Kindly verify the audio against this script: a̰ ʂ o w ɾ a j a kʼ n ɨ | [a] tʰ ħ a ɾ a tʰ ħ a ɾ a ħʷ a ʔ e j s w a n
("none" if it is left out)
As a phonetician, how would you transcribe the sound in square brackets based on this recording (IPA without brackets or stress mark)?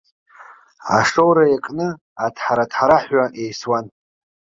a